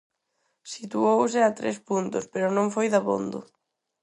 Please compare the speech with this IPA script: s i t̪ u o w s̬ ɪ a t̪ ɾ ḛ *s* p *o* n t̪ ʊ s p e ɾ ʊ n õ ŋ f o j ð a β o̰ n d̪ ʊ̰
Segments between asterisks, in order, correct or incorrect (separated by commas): correct, incorrect